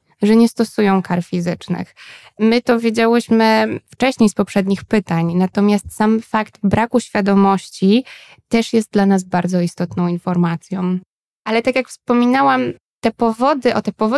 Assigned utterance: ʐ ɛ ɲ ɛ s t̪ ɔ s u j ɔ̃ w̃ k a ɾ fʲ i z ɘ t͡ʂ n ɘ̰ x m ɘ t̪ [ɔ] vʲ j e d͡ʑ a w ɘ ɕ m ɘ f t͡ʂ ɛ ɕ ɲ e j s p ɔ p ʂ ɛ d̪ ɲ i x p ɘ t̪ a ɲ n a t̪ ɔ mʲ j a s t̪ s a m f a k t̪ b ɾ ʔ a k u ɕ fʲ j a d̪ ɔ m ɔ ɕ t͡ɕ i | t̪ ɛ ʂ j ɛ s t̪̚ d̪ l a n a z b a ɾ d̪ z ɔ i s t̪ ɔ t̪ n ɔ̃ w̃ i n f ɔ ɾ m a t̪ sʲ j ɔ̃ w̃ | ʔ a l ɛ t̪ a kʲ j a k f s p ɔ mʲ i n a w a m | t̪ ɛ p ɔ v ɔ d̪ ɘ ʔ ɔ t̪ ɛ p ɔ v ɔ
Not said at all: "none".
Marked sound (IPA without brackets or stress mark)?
ɔ